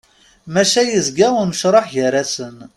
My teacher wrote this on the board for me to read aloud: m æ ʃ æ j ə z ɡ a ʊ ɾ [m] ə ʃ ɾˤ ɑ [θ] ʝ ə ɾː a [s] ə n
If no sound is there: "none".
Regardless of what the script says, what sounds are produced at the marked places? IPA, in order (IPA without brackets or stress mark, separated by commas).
m, ħ, s